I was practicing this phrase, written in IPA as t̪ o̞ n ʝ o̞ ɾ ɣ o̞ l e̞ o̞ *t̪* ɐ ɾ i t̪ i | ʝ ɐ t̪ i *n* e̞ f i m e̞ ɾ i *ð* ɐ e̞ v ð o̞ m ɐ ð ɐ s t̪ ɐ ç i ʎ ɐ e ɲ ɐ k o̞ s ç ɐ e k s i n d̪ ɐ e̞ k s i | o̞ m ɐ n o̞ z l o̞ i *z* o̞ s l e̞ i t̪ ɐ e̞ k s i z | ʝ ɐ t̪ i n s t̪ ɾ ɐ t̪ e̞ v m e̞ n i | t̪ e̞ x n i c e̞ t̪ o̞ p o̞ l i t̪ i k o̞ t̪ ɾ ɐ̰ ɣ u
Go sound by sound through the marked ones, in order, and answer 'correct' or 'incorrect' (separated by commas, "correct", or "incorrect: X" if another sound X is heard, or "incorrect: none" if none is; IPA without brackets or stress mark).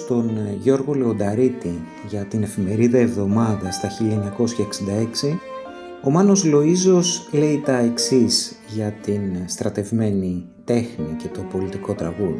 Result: incorrect: d̪, correct, correct, correct